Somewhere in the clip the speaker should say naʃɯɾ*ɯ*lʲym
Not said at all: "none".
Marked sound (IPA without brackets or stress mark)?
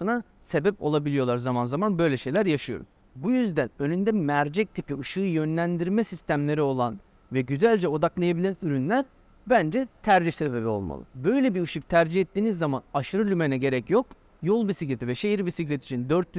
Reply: ɯ